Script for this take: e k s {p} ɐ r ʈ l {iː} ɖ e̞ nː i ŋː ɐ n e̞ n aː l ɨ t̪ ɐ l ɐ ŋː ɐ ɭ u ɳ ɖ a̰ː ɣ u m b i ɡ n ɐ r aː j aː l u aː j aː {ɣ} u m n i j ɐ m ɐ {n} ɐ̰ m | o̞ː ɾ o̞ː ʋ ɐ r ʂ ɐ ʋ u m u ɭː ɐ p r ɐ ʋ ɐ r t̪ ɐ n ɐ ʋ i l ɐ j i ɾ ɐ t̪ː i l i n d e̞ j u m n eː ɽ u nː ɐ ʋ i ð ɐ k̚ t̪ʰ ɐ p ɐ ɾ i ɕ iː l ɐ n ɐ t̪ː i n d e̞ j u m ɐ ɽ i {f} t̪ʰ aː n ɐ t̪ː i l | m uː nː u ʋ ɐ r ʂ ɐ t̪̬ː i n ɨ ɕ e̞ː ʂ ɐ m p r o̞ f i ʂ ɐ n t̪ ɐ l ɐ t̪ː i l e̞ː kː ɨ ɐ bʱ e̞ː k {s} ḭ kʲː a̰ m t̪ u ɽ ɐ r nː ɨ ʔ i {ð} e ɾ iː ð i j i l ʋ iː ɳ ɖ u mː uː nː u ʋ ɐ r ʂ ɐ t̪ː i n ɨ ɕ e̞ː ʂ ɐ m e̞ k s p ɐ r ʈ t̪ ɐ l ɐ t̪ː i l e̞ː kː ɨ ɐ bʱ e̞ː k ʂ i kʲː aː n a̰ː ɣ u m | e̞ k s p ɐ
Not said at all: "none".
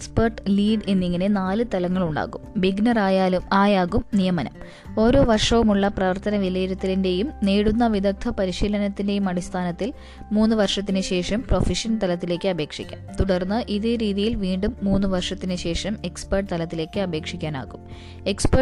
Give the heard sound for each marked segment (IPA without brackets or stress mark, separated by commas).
p, iː, ɣ, n, s, ʂ, ð